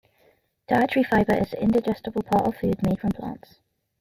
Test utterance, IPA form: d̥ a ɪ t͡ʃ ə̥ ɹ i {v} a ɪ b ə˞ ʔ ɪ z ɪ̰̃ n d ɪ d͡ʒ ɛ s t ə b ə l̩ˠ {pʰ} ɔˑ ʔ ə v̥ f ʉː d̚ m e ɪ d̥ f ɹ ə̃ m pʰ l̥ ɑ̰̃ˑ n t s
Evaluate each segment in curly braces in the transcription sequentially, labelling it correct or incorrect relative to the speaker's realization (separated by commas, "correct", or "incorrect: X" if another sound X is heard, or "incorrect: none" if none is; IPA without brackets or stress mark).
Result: incorrect: f, correct